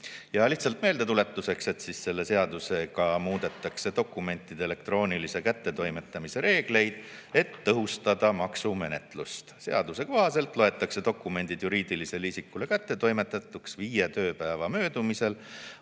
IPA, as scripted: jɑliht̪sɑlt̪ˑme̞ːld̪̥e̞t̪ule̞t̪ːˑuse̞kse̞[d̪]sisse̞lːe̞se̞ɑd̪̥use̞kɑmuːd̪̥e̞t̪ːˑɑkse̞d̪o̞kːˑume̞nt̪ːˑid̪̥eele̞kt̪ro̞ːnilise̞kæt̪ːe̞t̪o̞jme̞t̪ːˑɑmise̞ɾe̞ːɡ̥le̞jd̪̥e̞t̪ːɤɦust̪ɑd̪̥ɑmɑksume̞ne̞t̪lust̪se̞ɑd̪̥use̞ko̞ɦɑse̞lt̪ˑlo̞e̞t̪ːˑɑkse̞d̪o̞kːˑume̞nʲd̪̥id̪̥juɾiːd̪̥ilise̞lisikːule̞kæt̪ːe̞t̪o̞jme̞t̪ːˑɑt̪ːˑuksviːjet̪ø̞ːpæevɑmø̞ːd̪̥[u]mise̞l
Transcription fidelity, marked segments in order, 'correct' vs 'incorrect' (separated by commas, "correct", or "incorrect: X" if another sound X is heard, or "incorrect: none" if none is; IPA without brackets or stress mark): incorrect: t̪, correct